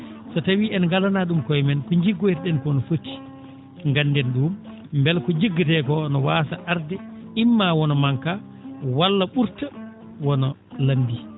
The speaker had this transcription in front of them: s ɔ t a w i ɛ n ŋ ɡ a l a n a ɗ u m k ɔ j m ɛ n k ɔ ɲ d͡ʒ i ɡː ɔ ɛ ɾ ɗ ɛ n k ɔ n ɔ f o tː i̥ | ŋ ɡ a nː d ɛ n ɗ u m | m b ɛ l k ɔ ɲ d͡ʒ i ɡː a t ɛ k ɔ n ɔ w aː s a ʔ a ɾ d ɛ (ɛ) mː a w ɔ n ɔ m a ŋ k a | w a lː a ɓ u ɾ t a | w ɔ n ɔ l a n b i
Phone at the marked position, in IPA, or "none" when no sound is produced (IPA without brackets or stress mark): i